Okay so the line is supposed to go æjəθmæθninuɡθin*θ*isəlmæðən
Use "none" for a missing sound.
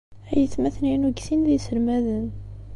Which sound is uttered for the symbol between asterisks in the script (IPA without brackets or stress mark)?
ð